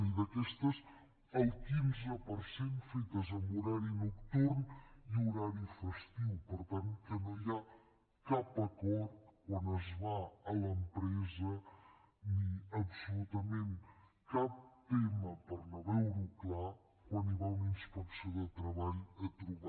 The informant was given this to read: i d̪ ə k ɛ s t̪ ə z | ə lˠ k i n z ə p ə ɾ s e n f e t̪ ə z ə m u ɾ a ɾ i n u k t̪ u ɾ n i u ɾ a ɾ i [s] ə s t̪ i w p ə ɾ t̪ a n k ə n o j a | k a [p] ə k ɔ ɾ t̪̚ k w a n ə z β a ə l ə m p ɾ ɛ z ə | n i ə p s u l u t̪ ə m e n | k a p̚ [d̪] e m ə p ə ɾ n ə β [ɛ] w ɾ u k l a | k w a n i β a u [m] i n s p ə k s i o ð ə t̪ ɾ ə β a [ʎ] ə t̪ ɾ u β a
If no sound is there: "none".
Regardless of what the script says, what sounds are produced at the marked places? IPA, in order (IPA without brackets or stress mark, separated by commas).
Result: f, p, t̪, ɛ, n, ʎ